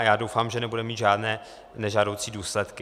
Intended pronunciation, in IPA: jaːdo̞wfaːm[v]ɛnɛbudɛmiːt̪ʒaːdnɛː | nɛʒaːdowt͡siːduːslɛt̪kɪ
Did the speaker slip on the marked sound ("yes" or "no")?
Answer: yes